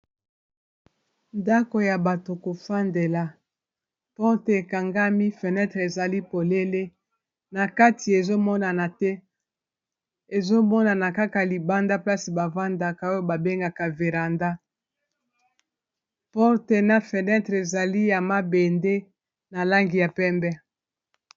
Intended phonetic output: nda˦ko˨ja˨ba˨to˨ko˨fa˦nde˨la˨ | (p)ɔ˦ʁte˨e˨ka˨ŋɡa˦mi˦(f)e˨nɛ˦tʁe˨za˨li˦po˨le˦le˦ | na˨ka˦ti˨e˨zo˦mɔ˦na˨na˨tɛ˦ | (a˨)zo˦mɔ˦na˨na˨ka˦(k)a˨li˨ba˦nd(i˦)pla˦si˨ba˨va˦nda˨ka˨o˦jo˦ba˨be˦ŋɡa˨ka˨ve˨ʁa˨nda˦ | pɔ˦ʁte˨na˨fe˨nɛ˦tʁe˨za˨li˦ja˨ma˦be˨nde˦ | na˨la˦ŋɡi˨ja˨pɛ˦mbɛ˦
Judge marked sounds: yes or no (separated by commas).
yes, yes, no, yes, no